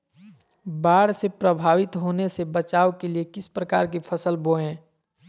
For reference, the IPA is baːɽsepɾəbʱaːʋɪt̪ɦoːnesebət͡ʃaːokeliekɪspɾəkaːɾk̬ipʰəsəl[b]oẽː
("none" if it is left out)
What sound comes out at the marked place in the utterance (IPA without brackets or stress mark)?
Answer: b